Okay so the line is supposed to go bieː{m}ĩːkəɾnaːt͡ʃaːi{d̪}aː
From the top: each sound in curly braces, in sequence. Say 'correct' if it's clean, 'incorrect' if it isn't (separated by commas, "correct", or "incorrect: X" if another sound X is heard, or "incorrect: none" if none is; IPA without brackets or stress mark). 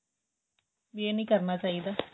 incorrect: n, correct